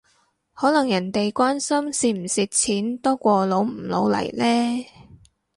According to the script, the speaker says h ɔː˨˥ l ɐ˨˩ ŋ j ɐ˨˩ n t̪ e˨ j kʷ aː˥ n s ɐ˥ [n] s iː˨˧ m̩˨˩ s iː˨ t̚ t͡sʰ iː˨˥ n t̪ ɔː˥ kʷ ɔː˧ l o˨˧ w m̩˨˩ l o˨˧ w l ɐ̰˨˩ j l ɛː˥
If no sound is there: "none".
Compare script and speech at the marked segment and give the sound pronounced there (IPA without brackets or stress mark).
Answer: m